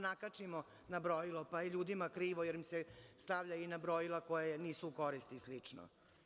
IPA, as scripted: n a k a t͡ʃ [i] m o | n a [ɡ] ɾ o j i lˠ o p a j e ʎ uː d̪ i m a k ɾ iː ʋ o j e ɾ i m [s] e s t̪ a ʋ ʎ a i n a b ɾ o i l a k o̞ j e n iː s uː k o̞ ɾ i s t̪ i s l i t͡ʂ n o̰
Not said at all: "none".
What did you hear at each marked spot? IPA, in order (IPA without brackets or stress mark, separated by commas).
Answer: i, b, s